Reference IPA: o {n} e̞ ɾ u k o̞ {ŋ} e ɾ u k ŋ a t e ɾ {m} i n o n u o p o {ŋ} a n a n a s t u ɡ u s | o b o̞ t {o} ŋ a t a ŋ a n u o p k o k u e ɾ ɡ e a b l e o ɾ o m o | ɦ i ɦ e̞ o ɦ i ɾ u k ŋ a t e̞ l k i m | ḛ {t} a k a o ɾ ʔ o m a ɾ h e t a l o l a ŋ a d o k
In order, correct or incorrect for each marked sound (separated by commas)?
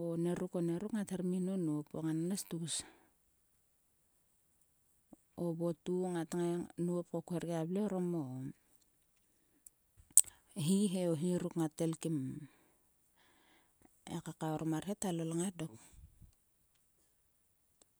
correct, incorrect, correct, correct, incorrect, incorrect